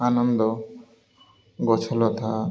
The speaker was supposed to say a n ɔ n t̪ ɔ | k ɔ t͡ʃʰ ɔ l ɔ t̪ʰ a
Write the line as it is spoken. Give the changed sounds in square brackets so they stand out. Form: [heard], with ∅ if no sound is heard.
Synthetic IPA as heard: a n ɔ n [d̪] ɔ | [ɡ] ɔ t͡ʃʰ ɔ l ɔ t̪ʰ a